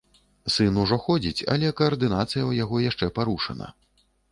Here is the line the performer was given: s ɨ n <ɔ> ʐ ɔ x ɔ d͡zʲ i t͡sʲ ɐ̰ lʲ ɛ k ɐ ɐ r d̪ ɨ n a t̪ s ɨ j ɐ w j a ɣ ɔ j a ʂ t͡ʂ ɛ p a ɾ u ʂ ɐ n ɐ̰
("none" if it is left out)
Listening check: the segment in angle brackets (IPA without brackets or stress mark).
u